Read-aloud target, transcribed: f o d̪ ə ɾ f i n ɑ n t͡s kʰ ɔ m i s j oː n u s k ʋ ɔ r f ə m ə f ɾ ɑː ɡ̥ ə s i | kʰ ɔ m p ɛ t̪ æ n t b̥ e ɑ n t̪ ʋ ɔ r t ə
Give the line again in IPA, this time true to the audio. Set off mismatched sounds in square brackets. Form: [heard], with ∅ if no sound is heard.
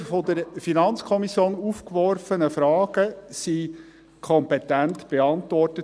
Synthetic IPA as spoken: f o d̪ ə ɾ f i n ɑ n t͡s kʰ ɔ m i s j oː n u [f] k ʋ ɔ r f ə [n] ə f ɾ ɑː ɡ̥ ə s i | kʰ ɔ m p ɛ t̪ æ n t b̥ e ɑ n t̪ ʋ ɔ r t ə